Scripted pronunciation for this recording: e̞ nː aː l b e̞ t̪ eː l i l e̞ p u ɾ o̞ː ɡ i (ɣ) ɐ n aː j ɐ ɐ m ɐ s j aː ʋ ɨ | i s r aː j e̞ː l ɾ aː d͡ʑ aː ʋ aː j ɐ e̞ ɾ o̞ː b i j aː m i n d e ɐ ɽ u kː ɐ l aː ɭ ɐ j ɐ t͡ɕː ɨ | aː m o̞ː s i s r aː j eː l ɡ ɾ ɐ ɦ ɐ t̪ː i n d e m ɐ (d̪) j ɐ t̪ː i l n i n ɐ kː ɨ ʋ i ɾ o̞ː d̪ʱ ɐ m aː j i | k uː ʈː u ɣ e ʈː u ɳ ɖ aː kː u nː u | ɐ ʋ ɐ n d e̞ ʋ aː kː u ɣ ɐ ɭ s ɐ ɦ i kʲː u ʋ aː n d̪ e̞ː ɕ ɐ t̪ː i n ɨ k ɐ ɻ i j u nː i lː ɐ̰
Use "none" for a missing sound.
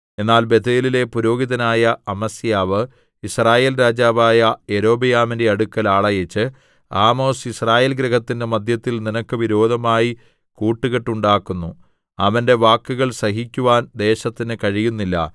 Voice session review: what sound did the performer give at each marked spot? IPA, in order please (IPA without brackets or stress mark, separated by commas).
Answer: ð, d̪